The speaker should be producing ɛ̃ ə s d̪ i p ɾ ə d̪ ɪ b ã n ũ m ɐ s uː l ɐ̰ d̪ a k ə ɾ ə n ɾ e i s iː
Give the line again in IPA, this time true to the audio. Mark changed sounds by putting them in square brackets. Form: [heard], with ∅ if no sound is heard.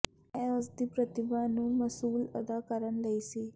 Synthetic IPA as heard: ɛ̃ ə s d̪ i p ɾ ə [t̪] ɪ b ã n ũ m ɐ s uː l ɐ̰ d̪ a k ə ɾ ə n [l] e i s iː